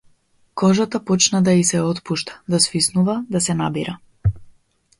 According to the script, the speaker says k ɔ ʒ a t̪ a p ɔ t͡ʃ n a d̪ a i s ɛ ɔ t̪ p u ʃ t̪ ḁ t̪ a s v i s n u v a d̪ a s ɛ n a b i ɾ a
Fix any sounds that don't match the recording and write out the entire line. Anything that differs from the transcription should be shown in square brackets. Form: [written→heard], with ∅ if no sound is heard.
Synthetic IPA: k ɔ ʒ a t̪ a p ɔ t͡ʃ n a d̪ a i s ɛ ɔ t̪ p u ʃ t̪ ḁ [t̪→d̪] a s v i s n u v a d̪ a s ɛ n a b i ɾ a